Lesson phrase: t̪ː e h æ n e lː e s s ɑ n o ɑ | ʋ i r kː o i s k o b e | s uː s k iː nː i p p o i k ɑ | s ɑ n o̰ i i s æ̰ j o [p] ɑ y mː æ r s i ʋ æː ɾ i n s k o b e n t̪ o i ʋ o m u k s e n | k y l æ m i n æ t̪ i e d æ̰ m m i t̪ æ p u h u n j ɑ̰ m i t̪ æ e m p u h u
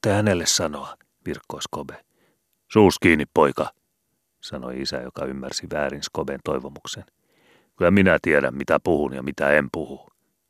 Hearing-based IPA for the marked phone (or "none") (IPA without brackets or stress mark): k